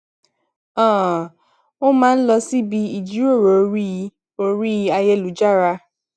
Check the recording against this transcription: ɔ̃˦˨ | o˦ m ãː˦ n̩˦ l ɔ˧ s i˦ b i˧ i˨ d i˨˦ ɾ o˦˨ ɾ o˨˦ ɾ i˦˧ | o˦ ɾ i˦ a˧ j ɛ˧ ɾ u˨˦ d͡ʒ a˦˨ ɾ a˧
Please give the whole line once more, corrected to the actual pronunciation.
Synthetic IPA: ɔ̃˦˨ | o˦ m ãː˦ n̩˦ l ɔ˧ s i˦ b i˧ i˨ d͡ʒ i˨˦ ɾ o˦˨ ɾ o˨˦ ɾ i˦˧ | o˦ ɾ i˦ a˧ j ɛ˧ l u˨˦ d͡ʒ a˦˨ ɾ a˧